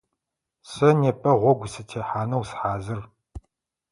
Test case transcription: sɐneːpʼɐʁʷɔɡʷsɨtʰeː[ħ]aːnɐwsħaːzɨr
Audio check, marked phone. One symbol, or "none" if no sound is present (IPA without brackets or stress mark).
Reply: ħ